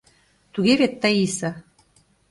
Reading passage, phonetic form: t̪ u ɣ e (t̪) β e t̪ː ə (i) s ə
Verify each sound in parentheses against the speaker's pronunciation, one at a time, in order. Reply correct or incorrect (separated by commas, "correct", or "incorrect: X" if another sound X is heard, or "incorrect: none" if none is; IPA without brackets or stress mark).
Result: incorrect: none, correct